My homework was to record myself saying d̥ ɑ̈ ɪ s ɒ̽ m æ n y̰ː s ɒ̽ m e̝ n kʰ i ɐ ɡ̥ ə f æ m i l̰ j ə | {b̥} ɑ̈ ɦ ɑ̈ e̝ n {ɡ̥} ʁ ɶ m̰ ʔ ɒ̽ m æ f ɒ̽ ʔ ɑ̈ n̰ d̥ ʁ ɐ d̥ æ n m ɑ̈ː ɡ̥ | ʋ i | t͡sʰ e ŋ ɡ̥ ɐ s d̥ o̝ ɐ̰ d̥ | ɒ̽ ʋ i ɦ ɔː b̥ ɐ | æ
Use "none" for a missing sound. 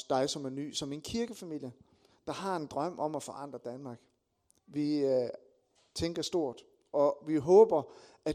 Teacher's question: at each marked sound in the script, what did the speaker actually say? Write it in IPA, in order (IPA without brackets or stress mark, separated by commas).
d̥, d̥